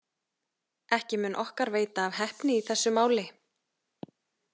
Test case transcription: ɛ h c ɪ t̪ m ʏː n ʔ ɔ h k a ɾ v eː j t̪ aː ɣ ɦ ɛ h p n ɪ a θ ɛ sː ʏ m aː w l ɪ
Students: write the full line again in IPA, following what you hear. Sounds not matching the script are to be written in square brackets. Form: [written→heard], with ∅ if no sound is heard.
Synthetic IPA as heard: ɛ h c ɪ [t̪→∅] m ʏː n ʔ ɔ h k a ɾ v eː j t̪ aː [ɣ→v] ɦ ɛ h p n ɪ [a→i] θ ɛ sː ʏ m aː w l ɪ